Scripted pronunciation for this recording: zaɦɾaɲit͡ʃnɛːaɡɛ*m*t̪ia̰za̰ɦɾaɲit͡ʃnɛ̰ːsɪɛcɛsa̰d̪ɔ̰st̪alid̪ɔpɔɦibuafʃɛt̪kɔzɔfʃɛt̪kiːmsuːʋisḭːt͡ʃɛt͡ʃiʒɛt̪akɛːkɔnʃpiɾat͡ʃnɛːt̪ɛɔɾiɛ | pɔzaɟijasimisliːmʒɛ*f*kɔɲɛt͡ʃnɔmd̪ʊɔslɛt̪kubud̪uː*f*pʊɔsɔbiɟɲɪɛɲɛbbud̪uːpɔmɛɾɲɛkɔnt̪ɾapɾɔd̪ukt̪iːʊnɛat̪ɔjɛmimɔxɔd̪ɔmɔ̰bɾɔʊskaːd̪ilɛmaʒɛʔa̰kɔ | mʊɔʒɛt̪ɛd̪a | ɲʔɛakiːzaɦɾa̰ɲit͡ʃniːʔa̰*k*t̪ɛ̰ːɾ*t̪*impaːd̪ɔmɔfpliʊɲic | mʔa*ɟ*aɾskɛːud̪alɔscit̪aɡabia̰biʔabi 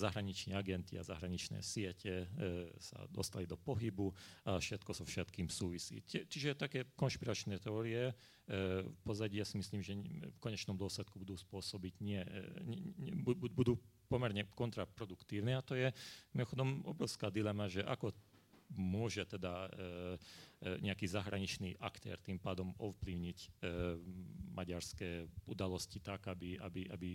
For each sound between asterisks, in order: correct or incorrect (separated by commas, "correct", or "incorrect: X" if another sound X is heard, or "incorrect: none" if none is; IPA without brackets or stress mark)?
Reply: incorrect: n, correct, incorrect: s, correct, correct, correct